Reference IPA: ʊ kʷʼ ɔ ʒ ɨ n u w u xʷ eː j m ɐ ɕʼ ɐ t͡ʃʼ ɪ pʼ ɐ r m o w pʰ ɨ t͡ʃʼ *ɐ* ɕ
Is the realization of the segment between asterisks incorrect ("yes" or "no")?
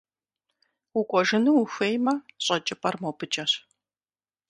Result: no